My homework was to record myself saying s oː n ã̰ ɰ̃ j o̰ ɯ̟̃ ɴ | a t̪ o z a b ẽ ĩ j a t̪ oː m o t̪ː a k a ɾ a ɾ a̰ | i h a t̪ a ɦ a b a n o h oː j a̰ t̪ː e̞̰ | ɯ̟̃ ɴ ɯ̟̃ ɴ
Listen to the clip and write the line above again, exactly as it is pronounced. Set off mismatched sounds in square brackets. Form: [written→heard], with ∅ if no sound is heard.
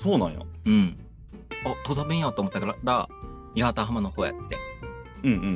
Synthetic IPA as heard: s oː n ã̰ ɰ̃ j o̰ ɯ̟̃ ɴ | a t̪ o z a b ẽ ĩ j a t̪ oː m o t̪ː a k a ɾ a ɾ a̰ | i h a t̪ a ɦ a [b→m] a n o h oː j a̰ t̪ː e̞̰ | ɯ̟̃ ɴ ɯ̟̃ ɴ